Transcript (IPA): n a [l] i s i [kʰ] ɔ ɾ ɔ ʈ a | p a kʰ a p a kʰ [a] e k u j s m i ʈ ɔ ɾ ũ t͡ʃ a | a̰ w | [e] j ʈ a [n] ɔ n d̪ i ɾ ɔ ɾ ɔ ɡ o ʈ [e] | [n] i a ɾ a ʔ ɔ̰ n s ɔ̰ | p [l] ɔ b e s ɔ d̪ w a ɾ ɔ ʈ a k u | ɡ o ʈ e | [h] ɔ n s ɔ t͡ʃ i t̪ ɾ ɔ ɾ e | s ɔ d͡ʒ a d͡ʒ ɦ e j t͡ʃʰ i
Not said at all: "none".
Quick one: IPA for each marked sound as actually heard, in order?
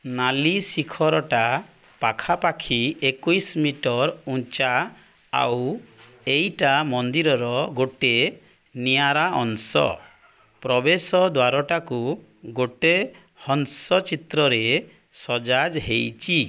l, kʰ, i, e, m, e, n, ɾ, h

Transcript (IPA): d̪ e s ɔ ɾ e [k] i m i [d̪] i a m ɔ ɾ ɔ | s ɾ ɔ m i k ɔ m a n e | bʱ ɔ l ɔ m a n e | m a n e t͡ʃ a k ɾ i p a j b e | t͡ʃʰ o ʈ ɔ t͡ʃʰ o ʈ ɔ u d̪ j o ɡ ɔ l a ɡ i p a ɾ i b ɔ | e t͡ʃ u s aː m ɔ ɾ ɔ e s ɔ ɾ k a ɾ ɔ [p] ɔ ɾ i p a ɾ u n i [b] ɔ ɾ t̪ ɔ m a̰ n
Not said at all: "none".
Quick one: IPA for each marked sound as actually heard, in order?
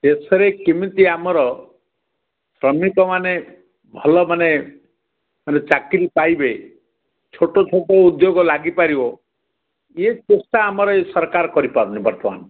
k, t̪, k, b

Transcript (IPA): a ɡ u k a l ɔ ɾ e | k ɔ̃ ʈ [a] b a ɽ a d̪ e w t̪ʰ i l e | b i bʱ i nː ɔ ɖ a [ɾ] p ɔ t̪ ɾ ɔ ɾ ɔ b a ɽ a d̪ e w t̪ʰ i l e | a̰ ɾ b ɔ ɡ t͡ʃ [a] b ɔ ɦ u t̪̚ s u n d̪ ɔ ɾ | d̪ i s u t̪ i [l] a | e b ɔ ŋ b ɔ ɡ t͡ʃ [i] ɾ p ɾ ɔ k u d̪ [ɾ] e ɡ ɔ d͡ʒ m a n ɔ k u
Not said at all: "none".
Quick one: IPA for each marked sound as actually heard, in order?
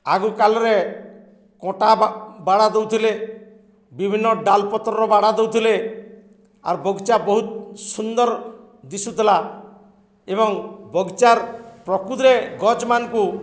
a, l, a, l, a, ɾ

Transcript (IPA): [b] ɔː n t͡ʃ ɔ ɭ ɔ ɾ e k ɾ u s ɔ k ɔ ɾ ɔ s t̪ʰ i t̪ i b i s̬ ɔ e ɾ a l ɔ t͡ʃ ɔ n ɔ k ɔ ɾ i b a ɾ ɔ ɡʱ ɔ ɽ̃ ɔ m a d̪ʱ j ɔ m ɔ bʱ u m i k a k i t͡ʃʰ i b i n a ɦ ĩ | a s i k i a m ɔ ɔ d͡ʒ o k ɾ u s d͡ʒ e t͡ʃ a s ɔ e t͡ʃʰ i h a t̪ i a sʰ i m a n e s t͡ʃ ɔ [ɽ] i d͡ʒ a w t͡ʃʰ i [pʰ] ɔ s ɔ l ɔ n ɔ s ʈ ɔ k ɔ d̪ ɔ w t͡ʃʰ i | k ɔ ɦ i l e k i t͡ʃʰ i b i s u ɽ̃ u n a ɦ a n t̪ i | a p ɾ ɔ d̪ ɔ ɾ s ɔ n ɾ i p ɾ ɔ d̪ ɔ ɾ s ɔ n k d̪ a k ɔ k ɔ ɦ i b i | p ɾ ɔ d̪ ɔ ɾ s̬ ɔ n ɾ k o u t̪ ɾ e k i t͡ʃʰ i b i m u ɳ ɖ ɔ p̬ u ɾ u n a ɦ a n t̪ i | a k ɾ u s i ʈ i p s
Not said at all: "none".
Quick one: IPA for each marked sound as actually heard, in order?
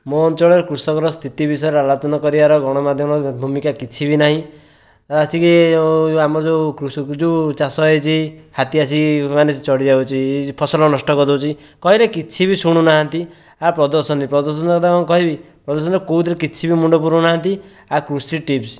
m, ɽ, pʰ

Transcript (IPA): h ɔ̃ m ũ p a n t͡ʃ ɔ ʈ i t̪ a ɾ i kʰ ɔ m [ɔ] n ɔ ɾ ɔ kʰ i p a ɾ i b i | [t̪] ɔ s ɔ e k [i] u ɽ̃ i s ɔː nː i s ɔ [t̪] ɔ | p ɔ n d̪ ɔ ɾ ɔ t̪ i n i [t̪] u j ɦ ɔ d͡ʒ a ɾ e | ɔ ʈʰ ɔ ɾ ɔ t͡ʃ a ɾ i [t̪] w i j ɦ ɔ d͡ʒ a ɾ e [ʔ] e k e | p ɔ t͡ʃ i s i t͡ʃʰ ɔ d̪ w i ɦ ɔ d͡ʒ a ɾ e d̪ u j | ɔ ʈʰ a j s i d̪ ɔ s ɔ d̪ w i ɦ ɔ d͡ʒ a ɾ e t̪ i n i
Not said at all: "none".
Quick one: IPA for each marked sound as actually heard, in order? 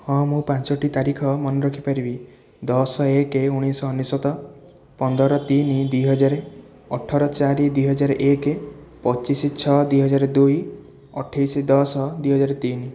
ɔ, d̪, e, t̪, d̪, d̪, ʔ

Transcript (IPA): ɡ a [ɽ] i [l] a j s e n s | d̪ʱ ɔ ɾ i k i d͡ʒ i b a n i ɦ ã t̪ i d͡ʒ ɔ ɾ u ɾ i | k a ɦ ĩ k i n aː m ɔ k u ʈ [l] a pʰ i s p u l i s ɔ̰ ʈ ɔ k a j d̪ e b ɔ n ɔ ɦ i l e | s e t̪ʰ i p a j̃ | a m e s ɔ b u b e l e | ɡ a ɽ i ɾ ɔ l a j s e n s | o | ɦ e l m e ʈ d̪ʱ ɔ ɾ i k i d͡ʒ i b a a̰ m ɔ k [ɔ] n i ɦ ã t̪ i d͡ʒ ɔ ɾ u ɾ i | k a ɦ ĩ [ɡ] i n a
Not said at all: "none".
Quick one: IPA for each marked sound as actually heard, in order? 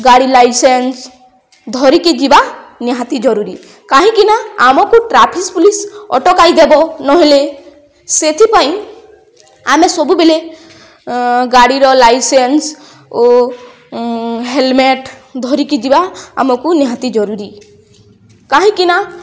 ɽ, l, ɾ, u, k

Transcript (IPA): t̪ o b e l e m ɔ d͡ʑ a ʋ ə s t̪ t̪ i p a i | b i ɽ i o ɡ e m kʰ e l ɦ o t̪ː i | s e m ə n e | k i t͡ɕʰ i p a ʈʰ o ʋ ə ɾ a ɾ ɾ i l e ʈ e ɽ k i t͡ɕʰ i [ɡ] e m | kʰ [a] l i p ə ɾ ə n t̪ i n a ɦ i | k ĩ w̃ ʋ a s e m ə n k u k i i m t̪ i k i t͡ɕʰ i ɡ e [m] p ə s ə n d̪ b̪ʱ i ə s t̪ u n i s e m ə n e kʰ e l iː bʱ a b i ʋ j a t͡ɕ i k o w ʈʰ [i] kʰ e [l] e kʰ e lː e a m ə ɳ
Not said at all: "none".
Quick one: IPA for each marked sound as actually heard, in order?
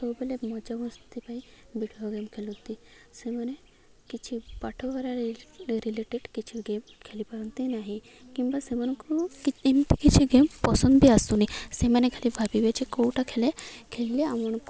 ɡ, e, m, a, l

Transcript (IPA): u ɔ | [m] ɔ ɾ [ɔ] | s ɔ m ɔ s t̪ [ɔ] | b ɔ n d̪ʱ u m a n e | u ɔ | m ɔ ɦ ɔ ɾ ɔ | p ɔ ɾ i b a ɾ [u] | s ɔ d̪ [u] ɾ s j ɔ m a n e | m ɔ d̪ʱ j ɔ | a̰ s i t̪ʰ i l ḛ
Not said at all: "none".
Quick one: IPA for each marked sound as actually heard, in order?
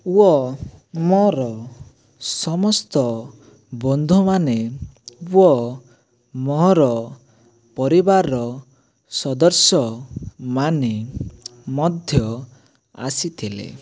m, ɔ, ɔ, ɔ, ɔ

